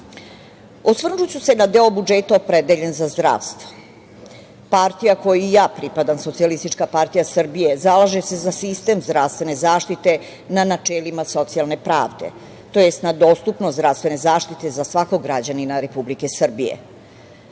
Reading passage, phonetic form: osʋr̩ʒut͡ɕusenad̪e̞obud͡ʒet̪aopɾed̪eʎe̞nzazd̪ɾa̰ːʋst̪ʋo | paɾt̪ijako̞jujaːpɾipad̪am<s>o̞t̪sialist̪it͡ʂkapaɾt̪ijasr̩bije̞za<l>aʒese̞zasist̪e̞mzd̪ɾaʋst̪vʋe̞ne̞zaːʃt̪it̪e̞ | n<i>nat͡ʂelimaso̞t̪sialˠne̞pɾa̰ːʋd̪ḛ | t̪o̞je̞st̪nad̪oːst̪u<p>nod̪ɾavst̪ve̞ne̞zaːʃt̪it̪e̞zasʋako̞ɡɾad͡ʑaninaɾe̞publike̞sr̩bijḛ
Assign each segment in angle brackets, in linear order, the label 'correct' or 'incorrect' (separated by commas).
correct, correct, incorrect, correct